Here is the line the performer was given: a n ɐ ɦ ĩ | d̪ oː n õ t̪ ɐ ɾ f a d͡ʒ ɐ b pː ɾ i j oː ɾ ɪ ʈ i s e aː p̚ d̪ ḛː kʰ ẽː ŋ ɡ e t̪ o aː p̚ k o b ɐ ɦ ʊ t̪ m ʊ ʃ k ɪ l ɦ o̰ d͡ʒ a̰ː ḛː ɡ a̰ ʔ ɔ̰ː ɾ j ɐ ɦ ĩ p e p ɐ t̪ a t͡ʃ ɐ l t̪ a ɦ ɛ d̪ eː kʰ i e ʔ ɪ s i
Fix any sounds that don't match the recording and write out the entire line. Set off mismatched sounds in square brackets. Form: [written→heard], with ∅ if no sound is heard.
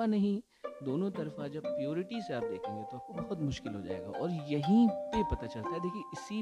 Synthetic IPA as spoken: a n ɐ ɦ ĩ | d̪ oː n õ t̪ ɐ ɾ f a d͡ʒ ɐ b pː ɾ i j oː ɾ ɪ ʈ i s e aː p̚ d̪ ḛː kʰ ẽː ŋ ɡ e t̪ o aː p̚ k o b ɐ ɦ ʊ t̪ m ʊ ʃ k ɪ l ɦ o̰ d͡ʒ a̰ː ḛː ɡ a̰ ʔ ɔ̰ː ɾ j ɐ ɦ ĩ p e p ɐ t̪ a t͡ʃ ɐ l t̪ a ɦ ɛ d̪ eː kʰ i e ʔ ɪ s i